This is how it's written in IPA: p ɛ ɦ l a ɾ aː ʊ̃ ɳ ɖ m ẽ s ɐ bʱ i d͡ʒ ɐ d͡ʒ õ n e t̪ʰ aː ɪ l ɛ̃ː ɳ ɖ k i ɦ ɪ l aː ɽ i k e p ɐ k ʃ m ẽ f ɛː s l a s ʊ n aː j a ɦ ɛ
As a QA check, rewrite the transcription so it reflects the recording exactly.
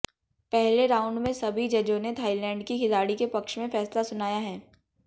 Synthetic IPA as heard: p ɛ ɦ l e ɾ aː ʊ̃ ɳ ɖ m ẽ s ɐ bʱ i d͡ʒ ɐ d͡ʒ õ n e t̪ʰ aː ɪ l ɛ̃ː ɳ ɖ k i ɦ ɪ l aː ɽ i k e p ɐ k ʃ m ẽ f ɛː s l a s ʊ n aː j a ɦ ɛː